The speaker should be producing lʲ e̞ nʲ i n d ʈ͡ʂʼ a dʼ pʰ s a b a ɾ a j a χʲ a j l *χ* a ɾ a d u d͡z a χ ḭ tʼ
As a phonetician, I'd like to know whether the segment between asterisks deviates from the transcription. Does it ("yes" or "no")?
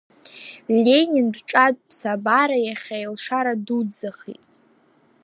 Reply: yes